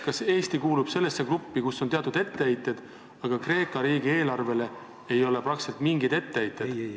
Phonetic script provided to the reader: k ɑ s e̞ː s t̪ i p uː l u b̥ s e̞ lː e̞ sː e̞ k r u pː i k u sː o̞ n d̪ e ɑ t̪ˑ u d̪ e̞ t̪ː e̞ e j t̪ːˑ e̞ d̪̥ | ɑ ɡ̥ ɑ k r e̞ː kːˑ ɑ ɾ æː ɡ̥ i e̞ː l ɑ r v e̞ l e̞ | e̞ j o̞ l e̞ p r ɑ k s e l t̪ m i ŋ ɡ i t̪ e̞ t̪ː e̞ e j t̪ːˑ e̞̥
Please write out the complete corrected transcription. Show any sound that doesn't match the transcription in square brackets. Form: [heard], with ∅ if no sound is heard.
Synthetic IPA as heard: k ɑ s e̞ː s t̪ i [k] uː l u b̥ s e̞ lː e̞ sː e̞ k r u pː i k u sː o̞ n [t̪] e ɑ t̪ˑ u d̪ e̞ t̪ː e̞ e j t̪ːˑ e̞ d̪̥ | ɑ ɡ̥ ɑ k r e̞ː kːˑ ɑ ɾ [iː] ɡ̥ i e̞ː l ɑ r v e̞ l e̞ | e̞ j o̞ l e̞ p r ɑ k s e l t̪ m i ŋ ɡ i [d̪] e̞ t̪ː e̞ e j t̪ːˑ e̞̥